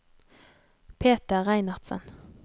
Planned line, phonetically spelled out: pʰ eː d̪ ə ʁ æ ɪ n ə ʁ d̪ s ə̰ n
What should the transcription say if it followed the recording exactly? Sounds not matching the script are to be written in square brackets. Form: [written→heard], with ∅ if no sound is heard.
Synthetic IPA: pʰ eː [d̪→t̪] ə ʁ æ ɪ n [ə→ɑ] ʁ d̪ s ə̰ n